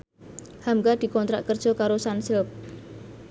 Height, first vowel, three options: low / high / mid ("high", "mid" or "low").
low